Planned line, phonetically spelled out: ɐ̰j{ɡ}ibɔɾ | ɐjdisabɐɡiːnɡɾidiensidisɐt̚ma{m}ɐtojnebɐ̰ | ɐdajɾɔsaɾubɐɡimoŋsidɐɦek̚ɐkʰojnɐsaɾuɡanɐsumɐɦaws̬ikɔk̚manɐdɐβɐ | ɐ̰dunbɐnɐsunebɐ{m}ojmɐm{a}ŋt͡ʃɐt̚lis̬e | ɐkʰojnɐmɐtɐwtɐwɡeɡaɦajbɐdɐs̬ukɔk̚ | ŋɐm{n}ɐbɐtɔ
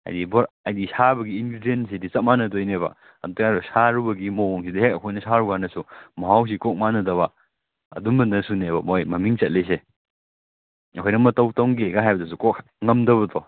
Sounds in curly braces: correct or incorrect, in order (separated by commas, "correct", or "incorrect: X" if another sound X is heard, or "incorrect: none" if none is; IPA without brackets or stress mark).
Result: incorrect: d, incorrect: n, correct, incorrect: i, incorrect: d